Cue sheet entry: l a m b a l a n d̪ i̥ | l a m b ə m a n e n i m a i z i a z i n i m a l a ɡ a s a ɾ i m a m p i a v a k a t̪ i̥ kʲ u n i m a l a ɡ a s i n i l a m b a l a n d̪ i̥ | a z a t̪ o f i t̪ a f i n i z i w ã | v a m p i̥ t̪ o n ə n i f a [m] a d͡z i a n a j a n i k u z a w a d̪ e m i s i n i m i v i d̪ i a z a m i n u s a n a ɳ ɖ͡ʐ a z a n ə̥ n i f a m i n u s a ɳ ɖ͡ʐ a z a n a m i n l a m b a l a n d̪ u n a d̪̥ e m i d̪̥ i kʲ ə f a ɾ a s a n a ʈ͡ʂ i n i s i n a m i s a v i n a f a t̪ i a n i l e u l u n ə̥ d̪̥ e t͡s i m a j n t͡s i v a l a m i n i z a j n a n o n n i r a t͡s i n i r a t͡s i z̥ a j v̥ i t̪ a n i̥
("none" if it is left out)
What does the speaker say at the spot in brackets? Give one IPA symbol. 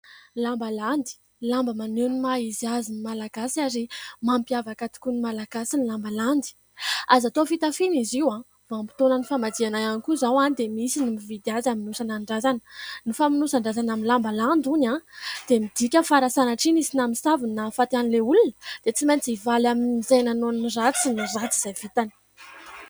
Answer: m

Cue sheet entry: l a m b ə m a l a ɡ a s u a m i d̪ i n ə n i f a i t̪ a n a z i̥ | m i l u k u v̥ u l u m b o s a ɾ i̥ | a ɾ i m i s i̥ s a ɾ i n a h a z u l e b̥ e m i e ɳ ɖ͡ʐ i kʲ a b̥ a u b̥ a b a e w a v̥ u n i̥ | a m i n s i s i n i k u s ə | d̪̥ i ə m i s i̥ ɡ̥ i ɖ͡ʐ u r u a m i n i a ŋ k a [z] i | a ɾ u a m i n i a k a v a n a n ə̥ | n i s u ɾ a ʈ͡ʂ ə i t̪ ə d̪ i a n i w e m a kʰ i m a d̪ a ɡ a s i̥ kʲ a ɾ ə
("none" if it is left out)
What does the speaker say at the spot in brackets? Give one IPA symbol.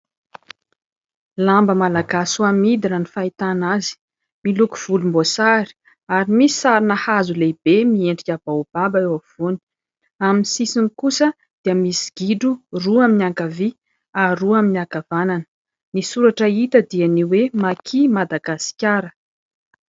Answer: v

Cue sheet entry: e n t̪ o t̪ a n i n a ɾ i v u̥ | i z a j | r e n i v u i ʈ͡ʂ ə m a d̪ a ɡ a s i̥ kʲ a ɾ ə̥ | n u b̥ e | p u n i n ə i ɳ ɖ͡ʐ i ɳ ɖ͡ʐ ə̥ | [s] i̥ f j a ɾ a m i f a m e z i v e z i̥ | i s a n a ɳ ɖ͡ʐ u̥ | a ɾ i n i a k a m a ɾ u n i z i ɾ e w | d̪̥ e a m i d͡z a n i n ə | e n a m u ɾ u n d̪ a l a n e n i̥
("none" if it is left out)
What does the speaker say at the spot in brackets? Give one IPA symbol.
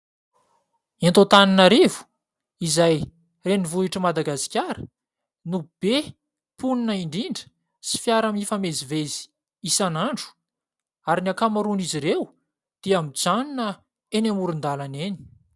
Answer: s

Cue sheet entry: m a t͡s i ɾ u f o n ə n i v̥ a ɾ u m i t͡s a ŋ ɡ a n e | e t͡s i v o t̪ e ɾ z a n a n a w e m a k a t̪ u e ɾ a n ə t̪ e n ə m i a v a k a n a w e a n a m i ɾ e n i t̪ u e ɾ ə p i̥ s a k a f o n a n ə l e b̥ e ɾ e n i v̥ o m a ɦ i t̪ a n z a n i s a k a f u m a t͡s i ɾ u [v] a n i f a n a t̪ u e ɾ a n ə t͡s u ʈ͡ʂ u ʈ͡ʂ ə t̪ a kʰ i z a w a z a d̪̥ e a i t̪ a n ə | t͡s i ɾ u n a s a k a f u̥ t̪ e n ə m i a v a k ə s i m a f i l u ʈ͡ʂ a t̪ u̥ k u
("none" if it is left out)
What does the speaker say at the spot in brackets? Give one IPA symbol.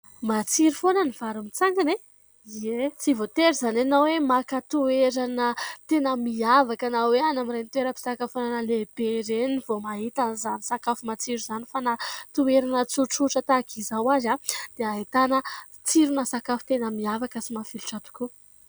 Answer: z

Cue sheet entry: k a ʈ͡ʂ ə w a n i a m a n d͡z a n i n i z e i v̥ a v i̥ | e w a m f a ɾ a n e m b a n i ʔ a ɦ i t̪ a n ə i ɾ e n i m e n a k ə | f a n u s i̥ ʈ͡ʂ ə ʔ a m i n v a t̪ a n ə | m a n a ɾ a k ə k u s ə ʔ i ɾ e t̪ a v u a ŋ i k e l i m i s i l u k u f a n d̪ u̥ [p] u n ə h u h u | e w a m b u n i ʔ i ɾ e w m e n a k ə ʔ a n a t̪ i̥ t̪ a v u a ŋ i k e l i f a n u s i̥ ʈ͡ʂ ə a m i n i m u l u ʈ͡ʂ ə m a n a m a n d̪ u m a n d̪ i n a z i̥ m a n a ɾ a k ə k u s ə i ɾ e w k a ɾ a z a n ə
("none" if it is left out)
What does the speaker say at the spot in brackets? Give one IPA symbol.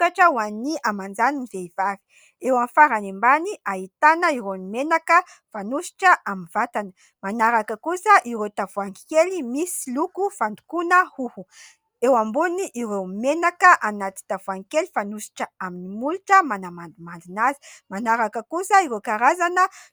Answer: k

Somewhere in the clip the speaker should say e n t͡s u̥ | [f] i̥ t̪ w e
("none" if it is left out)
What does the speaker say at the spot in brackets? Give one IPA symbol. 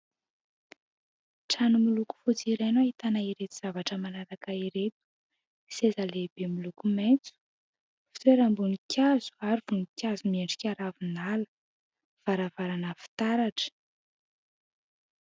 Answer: f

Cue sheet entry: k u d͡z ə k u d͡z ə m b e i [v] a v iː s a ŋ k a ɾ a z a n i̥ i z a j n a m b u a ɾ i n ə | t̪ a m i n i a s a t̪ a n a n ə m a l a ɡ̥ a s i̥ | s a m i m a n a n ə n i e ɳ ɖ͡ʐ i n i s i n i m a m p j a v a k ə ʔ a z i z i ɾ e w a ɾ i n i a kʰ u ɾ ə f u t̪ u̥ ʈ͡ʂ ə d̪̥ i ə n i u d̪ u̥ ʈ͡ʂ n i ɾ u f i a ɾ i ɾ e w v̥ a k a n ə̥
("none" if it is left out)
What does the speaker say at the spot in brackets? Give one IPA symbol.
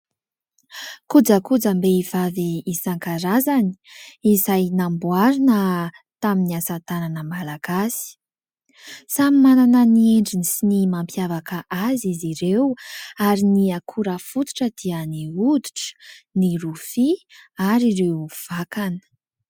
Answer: v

